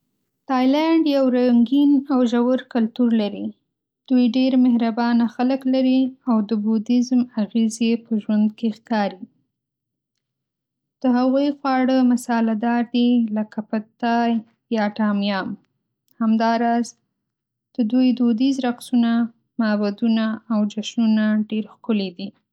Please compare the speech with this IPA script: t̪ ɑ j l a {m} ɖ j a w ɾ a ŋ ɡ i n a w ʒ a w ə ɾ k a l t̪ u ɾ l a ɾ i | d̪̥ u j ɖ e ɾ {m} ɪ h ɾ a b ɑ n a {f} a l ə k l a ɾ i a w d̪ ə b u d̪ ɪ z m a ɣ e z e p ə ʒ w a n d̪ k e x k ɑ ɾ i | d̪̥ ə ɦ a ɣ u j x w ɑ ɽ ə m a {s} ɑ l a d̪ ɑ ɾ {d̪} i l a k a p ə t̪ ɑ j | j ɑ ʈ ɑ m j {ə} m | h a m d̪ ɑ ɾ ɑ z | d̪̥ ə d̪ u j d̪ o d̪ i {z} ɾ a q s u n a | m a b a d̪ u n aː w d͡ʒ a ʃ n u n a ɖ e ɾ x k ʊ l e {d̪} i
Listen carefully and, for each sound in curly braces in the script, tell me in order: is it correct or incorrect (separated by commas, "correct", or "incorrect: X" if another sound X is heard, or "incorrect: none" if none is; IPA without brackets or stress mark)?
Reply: incorrect: ɳ, correct, incorrect: x, correct, correct, incorrect: ɑ, correct, correct